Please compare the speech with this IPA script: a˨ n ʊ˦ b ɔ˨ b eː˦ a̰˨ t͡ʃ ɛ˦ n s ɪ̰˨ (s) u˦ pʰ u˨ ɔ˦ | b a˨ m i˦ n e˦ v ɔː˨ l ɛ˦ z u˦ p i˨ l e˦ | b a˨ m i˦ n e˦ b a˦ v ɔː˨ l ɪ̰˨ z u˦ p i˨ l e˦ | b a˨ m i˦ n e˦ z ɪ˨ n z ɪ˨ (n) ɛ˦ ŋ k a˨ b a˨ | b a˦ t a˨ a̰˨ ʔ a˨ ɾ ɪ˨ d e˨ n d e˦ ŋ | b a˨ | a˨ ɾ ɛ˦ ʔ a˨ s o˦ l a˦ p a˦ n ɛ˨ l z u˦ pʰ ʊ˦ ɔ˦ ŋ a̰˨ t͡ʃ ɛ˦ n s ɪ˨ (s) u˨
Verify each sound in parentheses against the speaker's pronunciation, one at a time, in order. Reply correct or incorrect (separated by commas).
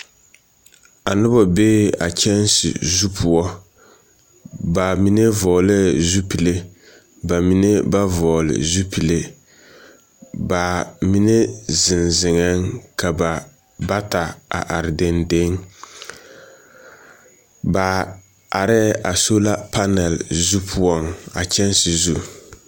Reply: incorrect, incorrect, incorrect